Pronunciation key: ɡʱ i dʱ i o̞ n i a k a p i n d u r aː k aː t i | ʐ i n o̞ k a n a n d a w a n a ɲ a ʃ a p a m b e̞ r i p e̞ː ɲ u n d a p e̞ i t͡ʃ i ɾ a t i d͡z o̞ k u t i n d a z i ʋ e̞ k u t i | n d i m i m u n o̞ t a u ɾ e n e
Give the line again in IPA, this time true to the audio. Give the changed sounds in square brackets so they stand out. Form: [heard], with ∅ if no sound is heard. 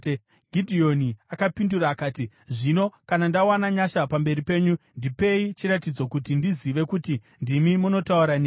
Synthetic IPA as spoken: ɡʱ i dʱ i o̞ n i a k a p i n d u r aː k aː t i | ʐ i n o̞ k a n a n d a w a n a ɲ a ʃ a p a m b e̞ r i p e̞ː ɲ u n d [i] p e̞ i t͡ʃ i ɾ a t i d͡z o̞ k u t i n d [i] z i ʋ e̞ k u t i | n d i m i m u n o̞ t a u ɾ [a] n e